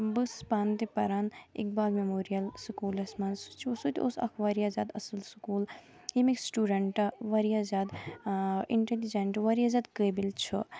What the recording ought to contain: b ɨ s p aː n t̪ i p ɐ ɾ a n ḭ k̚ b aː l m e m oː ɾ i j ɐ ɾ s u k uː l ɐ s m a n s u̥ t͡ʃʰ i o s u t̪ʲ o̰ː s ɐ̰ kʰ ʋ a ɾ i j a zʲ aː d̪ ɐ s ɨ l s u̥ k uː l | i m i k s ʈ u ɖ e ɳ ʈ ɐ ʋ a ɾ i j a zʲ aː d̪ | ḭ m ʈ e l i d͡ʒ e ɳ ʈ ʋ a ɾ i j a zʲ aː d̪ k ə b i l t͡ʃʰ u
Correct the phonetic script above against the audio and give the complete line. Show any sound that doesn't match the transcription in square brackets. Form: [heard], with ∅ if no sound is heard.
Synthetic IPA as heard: b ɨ s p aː n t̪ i p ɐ ɾ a n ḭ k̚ b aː l m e m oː ɾ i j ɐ [l] s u k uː l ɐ s m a n s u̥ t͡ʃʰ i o s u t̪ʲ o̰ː s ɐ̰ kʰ ʋ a ɾ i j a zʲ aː d̪ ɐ s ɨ l s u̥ k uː l | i m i k s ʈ u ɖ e ɳ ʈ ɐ ʋ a ɾ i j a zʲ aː d̪ | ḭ [ɳ] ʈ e l i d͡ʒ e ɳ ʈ ʋ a ɾ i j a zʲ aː d̪ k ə b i l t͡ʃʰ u